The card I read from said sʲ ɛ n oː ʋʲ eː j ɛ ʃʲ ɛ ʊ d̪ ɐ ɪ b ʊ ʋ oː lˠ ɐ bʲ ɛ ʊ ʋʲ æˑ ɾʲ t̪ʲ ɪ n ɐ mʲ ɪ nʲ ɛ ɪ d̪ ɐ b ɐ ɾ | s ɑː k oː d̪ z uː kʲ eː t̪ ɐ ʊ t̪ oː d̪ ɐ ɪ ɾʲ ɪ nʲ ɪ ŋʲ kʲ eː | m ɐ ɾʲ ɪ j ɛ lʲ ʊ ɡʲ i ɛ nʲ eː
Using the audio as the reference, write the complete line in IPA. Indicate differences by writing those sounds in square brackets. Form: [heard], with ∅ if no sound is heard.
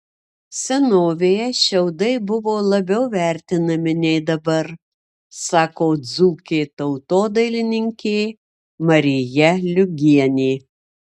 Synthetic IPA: sʲ ɛ n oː ʋʲ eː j ɛ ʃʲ ɛ ʊ d̪ ɐ ɪ b ʊ ʋ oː lˠ ɐ bʲ ɛ ʊ ʋʲ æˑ ɾʲ t̪ʲ ɪ n ɐ mʲ ɪ nʲ ɛ ɪ d̪ ɐ b ɐ ɾ | s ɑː k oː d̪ z uː kʲ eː t̪ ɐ ʊ t̪ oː d̪ ɐ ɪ [lʲ] ɪ nʲ ɪ ŋʲ kʲ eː | m ɐ ɾʲ ɪ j ɛ lʲ ʊ ɡʲ i ɛ nʲ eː